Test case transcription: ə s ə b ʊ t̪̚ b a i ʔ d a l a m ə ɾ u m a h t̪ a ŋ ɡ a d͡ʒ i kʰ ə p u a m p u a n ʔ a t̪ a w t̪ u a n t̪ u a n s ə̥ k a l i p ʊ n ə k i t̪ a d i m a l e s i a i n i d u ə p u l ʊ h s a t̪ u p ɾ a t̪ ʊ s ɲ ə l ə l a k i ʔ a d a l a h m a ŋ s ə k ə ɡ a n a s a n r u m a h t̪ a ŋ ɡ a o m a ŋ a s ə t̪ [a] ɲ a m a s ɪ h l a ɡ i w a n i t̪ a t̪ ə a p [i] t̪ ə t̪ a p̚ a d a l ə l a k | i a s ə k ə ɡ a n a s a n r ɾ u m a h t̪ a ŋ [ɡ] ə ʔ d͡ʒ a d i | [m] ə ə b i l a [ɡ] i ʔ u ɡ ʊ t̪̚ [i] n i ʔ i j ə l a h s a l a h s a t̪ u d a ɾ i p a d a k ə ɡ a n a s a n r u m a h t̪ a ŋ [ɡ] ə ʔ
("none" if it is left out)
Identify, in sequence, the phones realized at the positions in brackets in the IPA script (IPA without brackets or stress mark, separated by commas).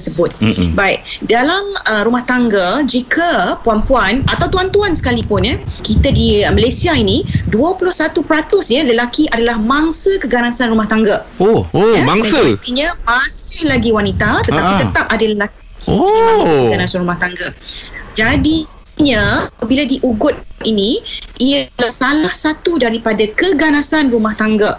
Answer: i, i, ɡ, ɲ, d, i, ɡ